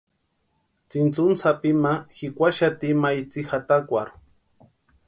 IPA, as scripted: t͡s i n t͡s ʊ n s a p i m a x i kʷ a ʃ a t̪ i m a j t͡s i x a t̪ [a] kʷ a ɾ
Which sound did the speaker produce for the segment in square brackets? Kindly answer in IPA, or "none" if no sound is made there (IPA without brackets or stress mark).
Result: a